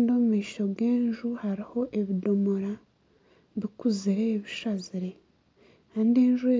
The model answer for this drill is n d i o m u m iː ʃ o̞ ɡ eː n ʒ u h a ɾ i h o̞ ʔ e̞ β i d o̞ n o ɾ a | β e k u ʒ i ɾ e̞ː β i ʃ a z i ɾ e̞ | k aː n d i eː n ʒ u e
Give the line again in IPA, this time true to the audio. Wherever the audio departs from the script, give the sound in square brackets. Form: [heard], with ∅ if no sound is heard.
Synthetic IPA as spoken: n d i o m u m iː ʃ o̞ ɡ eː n ʒ u h a ɾ i h o̞ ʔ e̞ β i d o̞ [m] o ɾ a | β [i] k u [z] i ɾ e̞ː β i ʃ a z i ɾ e̞ | k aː n d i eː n ʒ u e

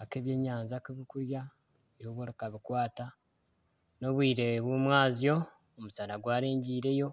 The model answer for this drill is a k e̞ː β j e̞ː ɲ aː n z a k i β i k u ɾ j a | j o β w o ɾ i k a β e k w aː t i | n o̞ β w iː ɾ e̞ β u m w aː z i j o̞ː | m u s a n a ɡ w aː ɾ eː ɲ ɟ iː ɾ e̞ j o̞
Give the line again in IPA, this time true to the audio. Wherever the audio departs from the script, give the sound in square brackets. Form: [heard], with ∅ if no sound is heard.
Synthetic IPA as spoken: a k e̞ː β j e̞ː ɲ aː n z a k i β i k u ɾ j a | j o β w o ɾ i k a β [i] k w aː t [a] | n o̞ β w iː ɾ e̞ β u m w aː z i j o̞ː | m u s a n a ɡ w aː ɾ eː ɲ ɟ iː ɾ e̞ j o̞

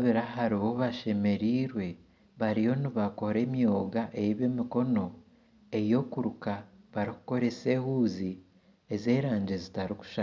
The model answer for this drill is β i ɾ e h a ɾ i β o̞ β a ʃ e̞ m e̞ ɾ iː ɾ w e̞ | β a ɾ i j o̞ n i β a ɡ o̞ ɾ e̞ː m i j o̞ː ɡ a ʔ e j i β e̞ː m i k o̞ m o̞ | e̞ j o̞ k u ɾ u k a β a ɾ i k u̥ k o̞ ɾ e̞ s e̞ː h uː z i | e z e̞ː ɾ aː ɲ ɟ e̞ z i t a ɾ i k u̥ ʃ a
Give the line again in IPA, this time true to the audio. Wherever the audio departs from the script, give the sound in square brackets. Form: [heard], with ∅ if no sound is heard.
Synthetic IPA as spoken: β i ɾ [a] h a ɾ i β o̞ β a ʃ e̞ m e̞ ɾ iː ɾ w e̞ | β a ɾ i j o̞ n i β a [k] o̞ ɾ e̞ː m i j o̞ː ɡ a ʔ e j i β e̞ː m i k o̞ [n] o̞ | e̞ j o̞ k u ɾ u k a β a ɾ i k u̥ k o̞ ɾ e̞ s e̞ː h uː z i | e z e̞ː ɾ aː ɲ ɟ e̞ z i t a ɾ i k u̥ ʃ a

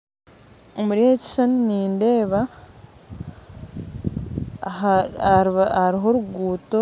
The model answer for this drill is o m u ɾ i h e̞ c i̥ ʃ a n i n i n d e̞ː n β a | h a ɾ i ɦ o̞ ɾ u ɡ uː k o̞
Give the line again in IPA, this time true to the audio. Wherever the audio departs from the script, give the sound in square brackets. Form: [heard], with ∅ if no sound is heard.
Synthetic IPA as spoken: o m u ɾ i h e̞ c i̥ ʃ a n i n [iː] n d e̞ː [∅] β a | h a ɾ i ɦ o̞ ɾ u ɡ uː [t] o̞

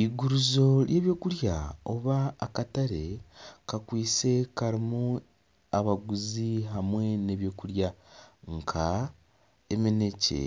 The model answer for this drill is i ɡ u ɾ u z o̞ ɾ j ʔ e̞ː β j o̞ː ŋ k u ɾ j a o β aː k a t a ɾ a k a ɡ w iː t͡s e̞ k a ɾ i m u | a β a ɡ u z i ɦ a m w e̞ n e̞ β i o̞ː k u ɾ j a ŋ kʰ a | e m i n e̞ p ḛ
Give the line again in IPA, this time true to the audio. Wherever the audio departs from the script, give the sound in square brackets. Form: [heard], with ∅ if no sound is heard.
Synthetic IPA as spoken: i ɡ u ɾ u z o̞ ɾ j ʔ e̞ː β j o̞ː [∅] k u ɾ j a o β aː k a t a ɾ [e] k a [k] w iː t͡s e̞ k a ɾ i m u | a β a ɡ u z i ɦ a m w e̞ n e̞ β [j] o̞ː k u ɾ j a ŋ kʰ a | e m i n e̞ [c] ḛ

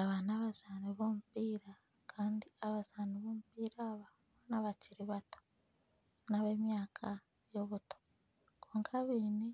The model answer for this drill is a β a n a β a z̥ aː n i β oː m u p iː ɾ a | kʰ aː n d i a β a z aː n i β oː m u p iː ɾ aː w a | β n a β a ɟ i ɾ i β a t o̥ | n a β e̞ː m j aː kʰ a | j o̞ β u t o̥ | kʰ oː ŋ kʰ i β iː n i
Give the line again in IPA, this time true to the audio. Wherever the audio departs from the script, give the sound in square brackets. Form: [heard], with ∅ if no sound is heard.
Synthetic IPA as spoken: a β a n a β a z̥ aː n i β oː m u p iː ɾ a | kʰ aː n d i a β a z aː n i β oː m u p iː ɾ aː [β] a | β n a β a [c] i ɾ i β a t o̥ | n a β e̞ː m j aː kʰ a | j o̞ β u t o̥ | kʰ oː ŋ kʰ [a] β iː n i

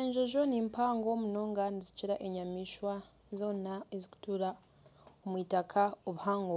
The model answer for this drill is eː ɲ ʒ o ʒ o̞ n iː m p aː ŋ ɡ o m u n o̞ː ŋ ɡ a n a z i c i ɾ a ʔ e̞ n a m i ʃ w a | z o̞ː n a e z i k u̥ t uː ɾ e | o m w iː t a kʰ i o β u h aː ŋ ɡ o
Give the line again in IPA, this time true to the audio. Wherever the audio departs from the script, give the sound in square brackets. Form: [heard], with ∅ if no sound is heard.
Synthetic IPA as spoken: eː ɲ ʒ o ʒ o̞ n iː m p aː ŋ ɡ o m u n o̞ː ŋ ɡ a n [i] z i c i ɾ a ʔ e̞ [ɲ] a m i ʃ w a | z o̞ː n a e z i k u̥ t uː ɾ [a] | o m w iː t a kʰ [a] o β u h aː ŋ ɡ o

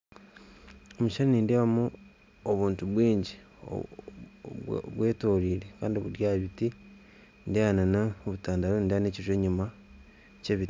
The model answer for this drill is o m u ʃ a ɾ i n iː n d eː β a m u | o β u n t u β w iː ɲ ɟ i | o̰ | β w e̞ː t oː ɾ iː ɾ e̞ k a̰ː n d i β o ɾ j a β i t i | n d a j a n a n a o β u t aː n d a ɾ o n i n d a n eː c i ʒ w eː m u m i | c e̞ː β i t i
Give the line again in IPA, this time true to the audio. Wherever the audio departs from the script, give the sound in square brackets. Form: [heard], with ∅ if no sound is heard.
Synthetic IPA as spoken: o m u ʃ a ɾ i n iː n d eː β a m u | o β [uː] n t u β w iː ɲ ɟ i | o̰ | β w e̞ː t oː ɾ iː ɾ e̞ k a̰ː n d i β [u] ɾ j a β i t i | n d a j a n a n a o β u t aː n d a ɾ o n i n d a n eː c i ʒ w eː [ɲ] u m [a] | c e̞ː β i t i

